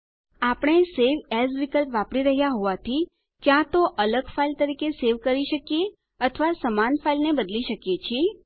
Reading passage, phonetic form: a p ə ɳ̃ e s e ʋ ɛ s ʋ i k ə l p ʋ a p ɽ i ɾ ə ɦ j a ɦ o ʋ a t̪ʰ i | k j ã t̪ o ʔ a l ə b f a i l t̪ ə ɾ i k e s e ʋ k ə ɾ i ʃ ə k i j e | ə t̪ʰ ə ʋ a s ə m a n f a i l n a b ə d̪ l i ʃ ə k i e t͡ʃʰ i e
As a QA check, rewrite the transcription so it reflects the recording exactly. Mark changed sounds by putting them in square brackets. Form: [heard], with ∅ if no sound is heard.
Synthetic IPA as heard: a p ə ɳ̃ e s e ʋ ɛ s ʋ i k ə l p ʋ a p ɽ i ɾ ə ɦ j a ɦ o ʋ a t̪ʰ i | k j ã t̪ o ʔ [ə] l ə [ɡ] f a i l t̪ ə ɾ i k e s e ʋ k ə ɾ i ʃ ə k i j e | ə t̪ʰ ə ʋ a s ə m a n f a i l n [e] b ə d̪ l i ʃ ə k [j] e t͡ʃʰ i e